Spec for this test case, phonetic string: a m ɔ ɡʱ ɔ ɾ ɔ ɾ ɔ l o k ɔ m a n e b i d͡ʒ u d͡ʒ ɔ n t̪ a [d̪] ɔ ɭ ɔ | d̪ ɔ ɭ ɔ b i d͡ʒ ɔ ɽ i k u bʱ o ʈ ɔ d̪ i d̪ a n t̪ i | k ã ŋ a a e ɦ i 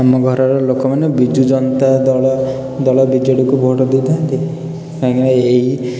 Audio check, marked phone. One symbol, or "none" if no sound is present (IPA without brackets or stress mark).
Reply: d̪